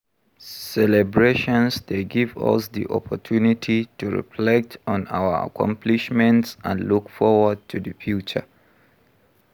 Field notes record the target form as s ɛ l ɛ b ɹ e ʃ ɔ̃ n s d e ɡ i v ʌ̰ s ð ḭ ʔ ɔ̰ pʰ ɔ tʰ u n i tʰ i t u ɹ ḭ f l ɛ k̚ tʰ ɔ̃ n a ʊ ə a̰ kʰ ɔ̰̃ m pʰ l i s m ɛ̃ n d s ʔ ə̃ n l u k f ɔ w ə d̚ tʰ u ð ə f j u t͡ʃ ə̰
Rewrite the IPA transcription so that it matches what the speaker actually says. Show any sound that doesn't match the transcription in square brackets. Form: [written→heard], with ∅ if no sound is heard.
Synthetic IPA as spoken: s ɛ l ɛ b ɹ e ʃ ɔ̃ n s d e ɡ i v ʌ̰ s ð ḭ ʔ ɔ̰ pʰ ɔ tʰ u n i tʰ i t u ɹ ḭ f l ɛ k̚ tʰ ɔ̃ n a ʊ ə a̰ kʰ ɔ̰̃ m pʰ l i [s→ʃ] m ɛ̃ n [d→t] s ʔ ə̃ n l u k f ɔ w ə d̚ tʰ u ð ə f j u t͡ʃ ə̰